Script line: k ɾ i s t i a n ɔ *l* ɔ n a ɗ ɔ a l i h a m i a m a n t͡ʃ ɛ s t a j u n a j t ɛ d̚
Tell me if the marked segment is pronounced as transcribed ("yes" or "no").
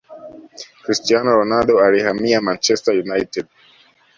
no